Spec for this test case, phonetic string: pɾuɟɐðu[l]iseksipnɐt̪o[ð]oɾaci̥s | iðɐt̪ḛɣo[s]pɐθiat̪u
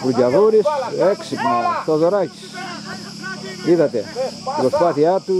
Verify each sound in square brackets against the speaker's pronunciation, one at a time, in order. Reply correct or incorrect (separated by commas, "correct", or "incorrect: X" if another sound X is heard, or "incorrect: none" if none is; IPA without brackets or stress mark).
incorrect: ɾ, correct, correct